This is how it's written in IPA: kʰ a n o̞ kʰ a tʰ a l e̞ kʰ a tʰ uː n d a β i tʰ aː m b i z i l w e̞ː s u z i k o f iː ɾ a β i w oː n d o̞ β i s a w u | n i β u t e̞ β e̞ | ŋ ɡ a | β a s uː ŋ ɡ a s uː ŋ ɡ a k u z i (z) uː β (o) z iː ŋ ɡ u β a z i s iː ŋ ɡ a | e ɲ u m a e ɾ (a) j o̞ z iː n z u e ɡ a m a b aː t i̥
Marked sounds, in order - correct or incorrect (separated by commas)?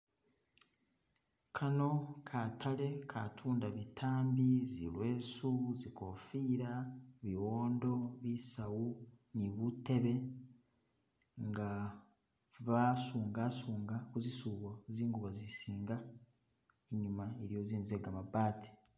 incorrect, correct, incorrect